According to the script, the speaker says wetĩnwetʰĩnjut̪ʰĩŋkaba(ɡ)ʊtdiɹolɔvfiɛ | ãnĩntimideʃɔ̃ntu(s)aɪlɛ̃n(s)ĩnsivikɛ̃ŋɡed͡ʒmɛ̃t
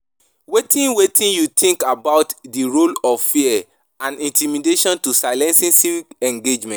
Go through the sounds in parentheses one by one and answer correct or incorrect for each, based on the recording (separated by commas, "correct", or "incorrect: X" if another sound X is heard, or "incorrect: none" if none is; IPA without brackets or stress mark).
incorrect: none, correct, correct